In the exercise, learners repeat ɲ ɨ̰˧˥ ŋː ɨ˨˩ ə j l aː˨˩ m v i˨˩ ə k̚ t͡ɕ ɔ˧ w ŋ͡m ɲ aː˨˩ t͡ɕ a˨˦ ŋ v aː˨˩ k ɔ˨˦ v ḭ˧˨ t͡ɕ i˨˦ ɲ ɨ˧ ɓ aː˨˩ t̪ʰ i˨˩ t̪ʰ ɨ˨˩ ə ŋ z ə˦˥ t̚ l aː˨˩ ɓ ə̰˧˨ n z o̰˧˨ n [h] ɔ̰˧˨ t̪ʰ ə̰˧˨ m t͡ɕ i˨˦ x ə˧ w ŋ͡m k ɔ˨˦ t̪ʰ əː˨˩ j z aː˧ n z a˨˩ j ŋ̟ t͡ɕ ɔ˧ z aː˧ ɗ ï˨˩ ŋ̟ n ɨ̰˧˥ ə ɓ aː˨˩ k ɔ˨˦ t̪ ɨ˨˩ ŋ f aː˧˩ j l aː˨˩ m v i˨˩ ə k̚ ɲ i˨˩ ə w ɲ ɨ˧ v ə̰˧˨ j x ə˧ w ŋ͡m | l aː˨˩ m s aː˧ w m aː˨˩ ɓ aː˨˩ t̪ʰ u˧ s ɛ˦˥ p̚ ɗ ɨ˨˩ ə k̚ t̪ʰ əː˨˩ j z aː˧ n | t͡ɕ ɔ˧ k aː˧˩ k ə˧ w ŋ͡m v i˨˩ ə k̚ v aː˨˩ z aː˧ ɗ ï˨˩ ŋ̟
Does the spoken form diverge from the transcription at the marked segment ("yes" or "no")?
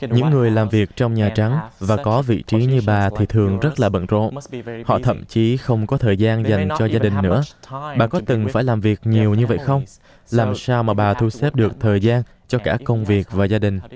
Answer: no